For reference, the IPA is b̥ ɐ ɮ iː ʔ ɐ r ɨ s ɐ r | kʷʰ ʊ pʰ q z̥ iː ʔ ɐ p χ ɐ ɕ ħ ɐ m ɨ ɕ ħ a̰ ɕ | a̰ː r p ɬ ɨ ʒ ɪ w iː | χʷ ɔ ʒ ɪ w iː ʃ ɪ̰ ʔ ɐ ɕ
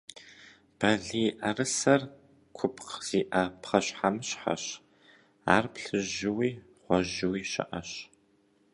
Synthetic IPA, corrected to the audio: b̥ ɐ ɮ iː ʔ ɐ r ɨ s ɐ r | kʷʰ ʊ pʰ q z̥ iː ʔ ɐ p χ ɐ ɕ ħ a m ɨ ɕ ħ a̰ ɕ | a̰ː r p ɬ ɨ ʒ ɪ w iː | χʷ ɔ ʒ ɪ w iː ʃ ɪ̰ ʔ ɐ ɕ